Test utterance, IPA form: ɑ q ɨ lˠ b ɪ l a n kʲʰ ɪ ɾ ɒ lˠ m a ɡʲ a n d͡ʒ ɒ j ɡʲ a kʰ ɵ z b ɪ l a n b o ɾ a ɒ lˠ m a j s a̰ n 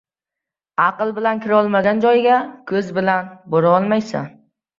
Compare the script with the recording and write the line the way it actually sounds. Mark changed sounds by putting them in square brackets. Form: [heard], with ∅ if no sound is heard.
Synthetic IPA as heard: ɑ q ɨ lˠ b ɪ l a n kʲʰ ɪ ɾ ɒ lˠ m a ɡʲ a n d͡ʒ ɒ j ɡʲ a kʰ ɵ z b ɪ l a n b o ɾ a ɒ lˠ m a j s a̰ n